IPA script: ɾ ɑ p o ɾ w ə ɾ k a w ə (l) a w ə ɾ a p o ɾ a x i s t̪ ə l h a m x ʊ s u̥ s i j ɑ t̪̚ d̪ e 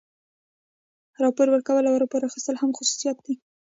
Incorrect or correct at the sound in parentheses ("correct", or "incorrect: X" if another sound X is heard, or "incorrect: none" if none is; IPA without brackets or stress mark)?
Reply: correct